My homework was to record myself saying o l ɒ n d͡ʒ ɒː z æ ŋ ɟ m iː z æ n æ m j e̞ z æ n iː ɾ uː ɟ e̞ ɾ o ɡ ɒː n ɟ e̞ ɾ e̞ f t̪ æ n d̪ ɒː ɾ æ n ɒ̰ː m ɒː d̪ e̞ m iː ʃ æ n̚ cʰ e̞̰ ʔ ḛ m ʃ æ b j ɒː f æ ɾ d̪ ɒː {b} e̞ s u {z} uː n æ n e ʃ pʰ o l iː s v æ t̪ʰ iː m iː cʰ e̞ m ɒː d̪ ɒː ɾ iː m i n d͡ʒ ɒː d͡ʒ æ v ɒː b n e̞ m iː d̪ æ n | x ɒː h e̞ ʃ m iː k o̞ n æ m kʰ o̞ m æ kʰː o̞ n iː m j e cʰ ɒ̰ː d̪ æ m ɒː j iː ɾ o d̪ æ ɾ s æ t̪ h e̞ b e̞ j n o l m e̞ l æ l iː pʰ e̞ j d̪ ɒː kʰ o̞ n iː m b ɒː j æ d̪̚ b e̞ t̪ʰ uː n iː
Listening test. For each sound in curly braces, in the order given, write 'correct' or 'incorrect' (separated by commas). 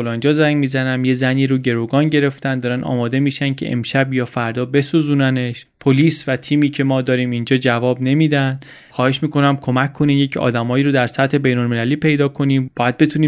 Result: correct, correct